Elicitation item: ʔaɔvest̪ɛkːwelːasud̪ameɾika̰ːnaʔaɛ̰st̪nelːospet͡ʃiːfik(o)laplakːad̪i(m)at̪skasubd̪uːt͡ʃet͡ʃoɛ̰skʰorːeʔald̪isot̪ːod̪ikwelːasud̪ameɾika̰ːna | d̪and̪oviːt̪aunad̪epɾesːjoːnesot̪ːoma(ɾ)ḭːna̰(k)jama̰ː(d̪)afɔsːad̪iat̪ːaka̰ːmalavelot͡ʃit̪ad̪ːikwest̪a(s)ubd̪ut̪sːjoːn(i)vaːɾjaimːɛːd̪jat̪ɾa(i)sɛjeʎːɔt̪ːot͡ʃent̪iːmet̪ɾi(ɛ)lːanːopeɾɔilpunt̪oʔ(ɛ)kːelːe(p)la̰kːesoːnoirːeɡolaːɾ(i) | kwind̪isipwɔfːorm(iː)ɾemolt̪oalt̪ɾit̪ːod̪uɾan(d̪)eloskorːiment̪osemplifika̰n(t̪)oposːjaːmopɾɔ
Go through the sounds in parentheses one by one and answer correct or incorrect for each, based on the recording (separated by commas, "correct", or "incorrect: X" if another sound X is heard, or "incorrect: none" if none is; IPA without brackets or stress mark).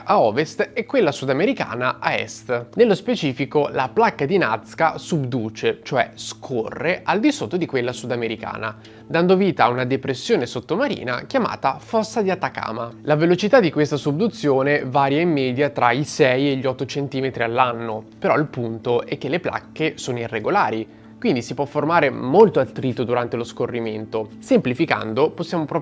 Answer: correct, incorrect: n, correct, correct, incorrect: t̪, correct, incorrect: e, correct, incorrect: a, correct, correct, correct, incorrect: aː, incorrect: t̪, incorrect: d̪